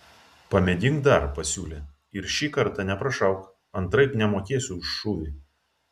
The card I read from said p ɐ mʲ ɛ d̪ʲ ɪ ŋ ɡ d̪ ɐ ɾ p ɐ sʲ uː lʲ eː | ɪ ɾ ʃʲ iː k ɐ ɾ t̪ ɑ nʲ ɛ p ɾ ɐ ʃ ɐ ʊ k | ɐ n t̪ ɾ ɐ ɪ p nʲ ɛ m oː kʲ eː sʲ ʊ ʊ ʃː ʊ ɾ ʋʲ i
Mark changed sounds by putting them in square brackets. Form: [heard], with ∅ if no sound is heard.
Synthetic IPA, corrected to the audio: p ɐ mʲ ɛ d̪ʲ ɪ ŋ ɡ d̪ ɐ ɾ p ɐ sʲ uː lʲ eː | ɪ ɾ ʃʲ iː k ɐ ɾ t̪ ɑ nʲ ɛ p ɾ ɐ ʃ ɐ ʊ k | ɐ n t̪ ɾ ɐ ɪ p nʲ ɛ m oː kʲ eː sʲ ʊ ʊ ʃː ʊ [∅] ʋʲ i